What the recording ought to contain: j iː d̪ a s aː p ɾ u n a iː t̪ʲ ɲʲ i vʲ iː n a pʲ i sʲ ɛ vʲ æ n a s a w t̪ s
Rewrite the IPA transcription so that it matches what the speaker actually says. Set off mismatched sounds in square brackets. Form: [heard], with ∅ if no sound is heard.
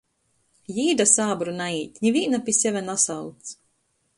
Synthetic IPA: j iː d̪ a s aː [b] ɾ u n a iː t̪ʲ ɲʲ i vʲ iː n a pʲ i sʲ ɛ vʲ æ n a s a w t̪ s